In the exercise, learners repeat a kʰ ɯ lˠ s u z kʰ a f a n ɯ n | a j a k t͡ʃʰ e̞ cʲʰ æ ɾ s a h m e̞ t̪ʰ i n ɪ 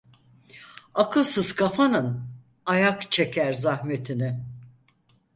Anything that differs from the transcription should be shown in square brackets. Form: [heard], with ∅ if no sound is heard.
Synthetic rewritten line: a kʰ ɯ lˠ s [ɯ] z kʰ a f a n ɯ n | a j a k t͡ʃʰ e̞ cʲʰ æ ɾ [z] a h m e̞ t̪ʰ i n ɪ